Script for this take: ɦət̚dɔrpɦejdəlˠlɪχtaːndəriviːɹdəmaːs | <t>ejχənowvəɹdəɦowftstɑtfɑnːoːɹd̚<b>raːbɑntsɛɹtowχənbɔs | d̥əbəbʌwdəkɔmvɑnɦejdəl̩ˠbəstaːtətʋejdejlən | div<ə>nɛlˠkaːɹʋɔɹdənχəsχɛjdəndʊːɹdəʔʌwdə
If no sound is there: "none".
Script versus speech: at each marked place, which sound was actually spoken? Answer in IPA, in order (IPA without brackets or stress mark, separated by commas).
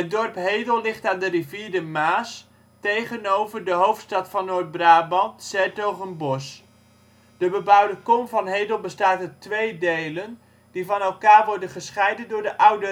t, b, ɑ